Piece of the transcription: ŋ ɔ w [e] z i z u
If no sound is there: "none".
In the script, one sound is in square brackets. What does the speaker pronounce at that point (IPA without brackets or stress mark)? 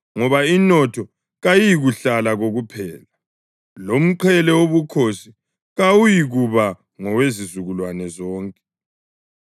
e